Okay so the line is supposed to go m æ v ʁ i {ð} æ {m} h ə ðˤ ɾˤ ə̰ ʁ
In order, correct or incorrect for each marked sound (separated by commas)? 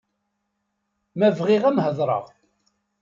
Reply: incorrect, correct